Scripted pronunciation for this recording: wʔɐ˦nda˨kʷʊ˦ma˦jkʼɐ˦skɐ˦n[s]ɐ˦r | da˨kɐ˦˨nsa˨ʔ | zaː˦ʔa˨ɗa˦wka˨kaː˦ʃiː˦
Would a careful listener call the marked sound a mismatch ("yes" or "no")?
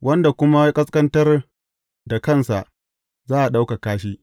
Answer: yes